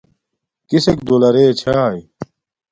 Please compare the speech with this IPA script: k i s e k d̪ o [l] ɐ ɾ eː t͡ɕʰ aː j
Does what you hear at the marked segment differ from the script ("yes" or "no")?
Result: no